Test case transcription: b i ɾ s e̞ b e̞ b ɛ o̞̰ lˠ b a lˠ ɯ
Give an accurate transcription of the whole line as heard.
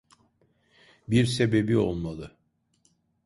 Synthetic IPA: b i ɾ s e̞ b e̞ b i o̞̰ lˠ m a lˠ ɯ